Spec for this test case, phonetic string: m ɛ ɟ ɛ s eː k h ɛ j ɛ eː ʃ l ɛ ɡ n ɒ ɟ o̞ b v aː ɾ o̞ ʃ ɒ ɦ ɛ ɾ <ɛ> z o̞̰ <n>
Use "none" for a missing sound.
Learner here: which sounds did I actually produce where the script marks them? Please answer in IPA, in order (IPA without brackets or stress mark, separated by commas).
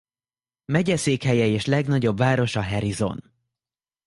i, n